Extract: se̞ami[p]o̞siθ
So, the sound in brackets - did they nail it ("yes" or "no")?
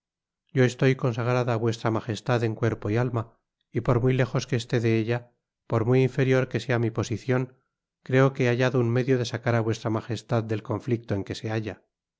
yes